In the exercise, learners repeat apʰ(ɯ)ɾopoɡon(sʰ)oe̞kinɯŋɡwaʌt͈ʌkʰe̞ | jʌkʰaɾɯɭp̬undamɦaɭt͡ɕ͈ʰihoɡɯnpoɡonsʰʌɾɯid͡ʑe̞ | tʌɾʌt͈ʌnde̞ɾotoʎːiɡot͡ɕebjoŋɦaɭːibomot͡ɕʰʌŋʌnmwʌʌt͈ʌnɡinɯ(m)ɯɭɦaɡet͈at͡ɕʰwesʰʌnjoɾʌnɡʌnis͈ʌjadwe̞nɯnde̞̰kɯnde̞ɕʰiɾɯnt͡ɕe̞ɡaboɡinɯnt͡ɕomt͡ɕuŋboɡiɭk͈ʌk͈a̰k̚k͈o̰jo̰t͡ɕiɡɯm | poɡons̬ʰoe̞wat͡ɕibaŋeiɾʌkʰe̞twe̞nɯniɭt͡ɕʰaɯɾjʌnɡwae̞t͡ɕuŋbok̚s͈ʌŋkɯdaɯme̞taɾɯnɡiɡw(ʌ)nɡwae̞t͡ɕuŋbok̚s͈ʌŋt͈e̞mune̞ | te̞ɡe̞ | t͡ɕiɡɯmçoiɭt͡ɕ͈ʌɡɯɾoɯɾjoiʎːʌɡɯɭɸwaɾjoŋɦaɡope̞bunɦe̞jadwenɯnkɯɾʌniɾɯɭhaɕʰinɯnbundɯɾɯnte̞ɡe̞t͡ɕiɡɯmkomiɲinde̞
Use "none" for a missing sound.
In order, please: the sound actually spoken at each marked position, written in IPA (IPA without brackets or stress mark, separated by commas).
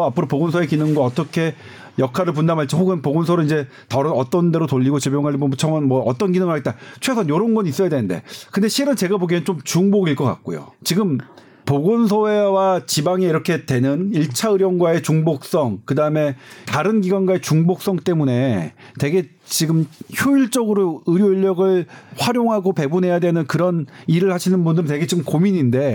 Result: ɯ, sʰ, ŋ, a